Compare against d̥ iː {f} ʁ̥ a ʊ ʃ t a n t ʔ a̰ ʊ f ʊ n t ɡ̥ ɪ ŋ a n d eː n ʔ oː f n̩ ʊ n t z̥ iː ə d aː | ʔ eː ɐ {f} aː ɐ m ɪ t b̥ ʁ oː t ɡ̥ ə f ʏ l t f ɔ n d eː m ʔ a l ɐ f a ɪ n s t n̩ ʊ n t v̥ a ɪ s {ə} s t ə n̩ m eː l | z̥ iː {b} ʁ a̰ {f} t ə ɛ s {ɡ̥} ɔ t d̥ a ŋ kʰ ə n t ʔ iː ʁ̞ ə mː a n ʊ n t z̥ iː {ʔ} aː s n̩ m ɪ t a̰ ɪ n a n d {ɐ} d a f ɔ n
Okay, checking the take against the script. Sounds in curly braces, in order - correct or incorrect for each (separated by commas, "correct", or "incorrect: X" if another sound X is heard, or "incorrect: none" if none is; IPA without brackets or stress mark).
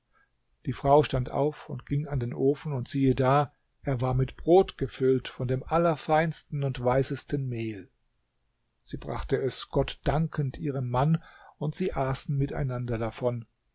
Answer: correct, incorrect: v, correct, correct, incorrect: χ, correct, correct, correct